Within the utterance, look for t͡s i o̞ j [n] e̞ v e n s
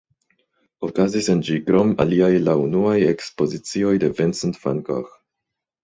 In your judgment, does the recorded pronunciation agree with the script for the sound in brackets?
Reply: no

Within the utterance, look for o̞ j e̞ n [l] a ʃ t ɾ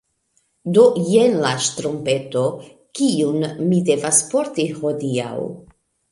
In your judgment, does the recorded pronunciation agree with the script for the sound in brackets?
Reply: yes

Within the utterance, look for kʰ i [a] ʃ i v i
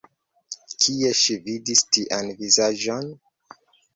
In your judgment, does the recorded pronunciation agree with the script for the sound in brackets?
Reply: no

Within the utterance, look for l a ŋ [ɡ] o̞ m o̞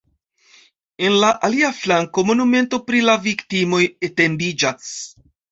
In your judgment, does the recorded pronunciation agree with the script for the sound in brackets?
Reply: no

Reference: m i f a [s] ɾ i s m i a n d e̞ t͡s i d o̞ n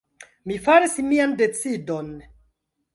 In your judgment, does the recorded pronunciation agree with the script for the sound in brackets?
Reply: no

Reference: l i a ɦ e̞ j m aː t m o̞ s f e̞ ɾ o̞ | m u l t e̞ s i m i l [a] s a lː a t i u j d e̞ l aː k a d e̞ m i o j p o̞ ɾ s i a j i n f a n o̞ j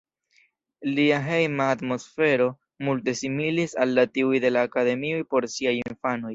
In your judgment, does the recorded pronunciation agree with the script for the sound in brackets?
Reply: no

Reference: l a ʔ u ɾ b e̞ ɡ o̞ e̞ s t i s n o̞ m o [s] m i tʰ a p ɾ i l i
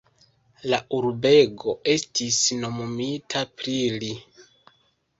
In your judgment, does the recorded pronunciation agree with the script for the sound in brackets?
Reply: no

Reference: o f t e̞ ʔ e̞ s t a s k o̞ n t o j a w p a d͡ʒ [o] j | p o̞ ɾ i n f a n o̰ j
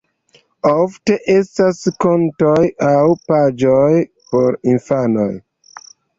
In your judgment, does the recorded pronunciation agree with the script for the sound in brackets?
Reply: yes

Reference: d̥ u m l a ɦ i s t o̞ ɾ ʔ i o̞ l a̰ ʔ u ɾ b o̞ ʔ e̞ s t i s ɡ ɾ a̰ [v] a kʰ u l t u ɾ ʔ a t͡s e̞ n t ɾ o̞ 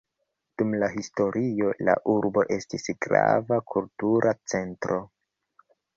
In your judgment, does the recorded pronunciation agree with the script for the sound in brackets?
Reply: yes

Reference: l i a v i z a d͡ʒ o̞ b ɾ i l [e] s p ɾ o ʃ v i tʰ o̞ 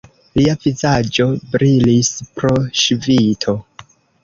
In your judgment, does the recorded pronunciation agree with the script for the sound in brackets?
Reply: no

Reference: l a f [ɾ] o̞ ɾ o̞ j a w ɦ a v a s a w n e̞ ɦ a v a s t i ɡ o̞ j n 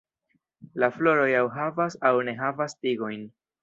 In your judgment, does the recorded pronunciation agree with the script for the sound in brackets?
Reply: no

